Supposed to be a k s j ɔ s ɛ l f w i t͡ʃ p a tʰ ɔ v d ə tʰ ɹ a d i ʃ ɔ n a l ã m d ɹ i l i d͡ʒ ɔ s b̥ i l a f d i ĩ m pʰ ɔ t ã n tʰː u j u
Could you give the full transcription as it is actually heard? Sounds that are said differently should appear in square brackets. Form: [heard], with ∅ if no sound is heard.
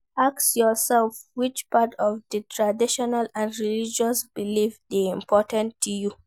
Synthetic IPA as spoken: a k s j ɔ s ɛ l f w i t͡ʃ p a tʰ ɔ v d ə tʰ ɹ a d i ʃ ɔ n a l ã [n] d ɹ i l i d͡ʒ ɔ s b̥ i l [i] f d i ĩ m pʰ ɔ t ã n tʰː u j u